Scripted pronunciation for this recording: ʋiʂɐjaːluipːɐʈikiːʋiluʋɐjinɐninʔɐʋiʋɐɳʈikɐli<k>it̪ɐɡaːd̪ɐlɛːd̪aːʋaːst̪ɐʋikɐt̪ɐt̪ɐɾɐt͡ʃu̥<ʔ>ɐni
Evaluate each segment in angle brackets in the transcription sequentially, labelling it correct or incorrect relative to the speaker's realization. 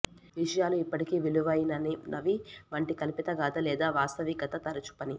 incorrect: p, incorrect: p

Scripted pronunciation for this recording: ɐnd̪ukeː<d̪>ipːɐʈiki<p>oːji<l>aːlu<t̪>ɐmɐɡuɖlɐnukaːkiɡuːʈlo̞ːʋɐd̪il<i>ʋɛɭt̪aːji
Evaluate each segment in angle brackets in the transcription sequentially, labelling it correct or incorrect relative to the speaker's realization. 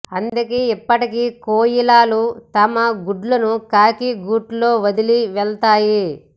incorrect: none, incorrect: k, correct, correct, correct

